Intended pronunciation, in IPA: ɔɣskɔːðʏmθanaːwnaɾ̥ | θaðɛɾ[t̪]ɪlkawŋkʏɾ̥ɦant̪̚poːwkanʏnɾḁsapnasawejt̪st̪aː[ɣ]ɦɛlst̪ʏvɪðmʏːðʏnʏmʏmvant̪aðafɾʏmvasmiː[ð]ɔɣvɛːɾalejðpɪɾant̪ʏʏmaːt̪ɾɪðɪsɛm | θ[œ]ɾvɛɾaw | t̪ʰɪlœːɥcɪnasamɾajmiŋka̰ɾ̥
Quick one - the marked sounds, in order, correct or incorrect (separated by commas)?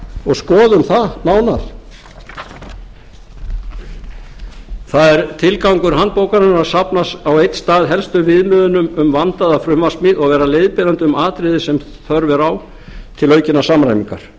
incorrect, incorrect, correct, correct